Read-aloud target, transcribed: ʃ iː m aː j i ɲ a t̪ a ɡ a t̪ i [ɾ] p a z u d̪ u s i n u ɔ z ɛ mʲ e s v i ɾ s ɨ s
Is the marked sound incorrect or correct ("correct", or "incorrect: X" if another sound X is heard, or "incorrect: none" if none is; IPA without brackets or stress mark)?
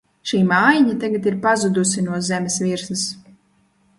correct